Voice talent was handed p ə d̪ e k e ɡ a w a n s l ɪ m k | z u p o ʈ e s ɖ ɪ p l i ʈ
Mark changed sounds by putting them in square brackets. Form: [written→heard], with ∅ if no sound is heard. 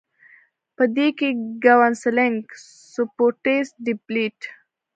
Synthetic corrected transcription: p ə d̪ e k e ɡ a w a n s l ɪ [m→ŋ] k | [z→s] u p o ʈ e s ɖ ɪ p l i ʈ